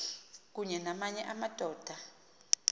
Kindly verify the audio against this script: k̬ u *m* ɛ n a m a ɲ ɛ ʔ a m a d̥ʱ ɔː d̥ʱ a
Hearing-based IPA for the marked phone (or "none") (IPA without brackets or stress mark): ɲ